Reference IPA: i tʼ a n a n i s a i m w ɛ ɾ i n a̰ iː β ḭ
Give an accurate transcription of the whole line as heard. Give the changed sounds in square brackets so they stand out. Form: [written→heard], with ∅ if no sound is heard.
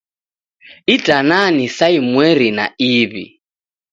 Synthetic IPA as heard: i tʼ a n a n i s a i m w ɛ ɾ i n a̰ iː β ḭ